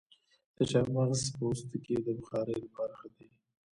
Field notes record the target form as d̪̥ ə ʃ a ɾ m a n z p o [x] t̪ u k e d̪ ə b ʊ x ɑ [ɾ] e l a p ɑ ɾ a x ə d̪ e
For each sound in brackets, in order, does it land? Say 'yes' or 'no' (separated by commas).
no, yes